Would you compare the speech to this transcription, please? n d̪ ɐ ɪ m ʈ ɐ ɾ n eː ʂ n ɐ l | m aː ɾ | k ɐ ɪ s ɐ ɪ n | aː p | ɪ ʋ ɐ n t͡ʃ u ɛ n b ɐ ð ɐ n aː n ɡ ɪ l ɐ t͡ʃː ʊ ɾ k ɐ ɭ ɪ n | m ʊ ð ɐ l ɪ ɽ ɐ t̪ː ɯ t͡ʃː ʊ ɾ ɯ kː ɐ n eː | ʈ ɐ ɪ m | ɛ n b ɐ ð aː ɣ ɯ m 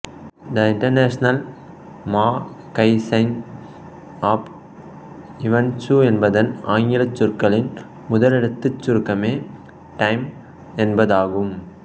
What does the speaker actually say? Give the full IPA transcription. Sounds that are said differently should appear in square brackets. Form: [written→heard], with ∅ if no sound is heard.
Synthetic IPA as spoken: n d̪ ɐ ɪ [m→ɳ] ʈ ɐ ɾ n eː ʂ n ɐ l | m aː [ɾ→∅] | k ɐ ɪ s ɐ ɪ n | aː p | ɪ ʋ ɐ n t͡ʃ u ɛ n b ɐ ð ɐ n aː [n→ŋ] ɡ ɪ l ɐ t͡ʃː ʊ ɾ k ɐ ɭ ɪ n | m ʊ ð ɐ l ɪ ɽ ɐ t̪ː ɯ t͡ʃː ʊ ɾ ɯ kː ɐ [n→m] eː | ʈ ɐ ɪ m | ɛ n b ɐ ð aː ɣ ɯ m